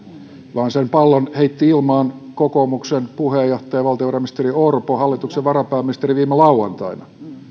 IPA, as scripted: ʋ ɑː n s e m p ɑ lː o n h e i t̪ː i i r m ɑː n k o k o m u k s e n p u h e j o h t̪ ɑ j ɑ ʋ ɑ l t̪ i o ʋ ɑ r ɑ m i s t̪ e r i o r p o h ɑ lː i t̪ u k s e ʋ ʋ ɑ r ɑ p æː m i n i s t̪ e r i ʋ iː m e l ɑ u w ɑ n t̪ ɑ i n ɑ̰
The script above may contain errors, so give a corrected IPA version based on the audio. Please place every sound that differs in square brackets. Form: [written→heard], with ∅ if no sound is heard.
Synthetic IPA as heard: ʋ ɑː n s e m p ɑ lː o n h e i t̪ː i i [r→l] m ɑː n k o k o m u k s e n p u h e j o h t̪ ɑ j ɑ ʋ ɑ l t̪ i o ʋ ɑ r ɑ m i s t̪ e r i o r p o h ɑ lː i t̪ u k s e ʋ ʋ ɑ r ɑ p æː m i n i s t̪ e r i ʋ iː m e l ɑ u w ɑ n t̪ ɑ i n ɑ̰

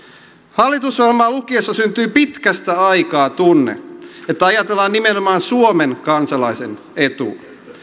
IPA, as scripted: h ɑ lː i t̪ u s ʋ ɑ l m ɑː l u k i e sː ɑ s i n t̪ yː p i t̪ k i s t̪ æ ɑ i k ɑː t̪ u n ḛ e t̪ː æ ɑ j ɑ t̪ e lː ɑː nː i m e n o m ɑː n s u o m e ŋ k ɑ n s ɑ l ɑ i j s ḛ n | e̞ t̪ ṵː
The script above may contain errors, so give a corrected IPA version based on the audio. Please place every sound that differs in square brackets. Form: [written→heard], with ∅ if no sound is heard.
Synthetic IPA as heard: h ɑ lː i t̪ u s ʋ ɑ l m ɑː l u k i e sː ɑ s [i→y] n t̪ yː p i t̪ k [i→æ] s t̪ æ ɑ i k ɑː t̪ u [n→nː] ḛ e t̪ː æ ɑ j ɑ t̪ e lː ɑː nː i m e n o m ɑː n s u o m e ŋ k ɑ n s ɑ l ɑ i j s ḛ n | e̞ t̪ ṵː

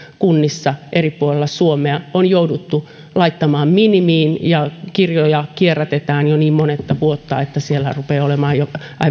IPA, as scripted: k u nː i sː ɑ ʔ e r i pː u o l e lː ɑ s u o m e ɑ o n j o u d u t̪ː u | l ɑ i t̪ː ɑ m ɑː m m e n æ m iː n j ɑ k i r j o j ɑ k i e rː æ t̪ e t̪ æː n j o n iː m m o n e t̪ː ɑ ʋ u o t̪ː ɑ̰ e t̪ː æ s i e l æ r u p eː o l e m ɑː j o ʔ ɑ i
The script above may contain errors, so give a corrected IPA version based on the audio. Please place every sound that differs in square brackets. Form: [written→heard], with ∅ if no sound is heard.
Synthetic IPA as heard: k u nː i sː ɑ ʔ e r i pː u o l e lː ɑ s u o m e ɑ o n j o u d u t̪ː u | l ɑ i t̪ː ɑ m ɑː m m [e→i] n [æ→i] m iː n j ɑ k i r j o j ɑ k i e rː æ t̪ e t̪ æː n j o n iː m m o n e t̪ː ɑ ʋ u o t̪ː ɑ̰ e t̪ː æ s i e l æ r u p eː o l e m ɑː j o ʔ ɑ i

